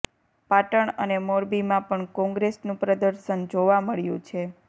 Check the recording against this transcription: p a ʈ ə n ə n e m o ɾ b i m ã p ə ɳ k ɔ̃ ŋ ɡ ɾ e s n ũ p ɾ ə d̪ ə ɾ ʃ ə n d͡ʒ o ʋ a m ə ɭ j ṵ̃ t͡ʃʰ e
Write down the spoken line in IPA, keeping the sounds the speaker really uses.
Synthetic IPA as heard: p a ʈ ə ɳ ə n e m o ɾ b i m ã p ə ɳ k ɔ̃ ŋ ɡ ɾ e s n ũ p ɾ ə d̪ ə ɾ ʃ ə n d͡ʒ o ʋ a m ə ɭ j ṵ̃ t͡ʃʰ e